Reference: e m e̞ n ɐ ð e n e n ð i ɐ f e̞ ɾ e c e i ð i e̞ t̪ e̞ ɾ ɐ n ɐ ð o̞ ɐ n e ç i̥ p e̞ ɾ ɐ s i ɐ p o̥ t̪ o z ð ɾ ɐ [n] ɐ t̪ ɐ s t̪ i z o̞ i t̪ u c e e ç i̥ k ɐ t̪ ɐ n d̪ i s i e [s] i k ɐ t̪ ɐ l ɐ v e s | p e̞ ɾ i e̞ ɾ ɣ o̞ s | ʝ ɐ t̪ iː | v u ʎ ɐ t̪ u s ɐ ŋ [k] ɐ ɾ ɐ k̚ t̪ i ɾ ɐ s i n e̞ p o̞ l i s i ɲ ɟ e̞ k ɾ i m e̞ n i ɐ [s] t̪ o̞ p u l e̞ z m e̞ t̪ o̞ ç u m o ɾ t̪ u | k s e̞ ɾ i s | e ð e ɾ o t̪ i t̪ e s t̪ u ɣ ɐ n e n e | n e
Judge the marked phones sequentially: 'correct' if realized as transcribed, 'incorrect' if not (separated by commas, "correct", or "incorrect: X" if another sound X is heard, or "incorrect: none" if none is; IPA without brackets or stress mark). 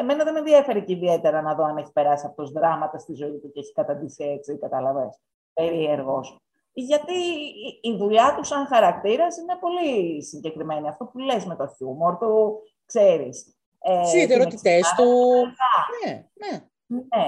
incorrect: m, incorrect: t͡s, incorrect: x, incorrect: f